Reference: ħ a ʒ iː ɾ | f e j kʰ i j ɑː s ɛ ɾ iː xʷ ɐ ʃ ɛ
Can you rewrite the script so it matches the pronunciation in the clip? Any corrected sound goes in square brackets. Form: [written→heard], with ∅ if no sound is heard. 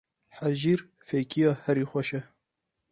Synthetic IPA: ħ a ʒ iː ɾ | f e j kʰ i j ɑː [s→h] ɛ ɾ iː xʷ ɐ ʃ ɛ